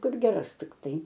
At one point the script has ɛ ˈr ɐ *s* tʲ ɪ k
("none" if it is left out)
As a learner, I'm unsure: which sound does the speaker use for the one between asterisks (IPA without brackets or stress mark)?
s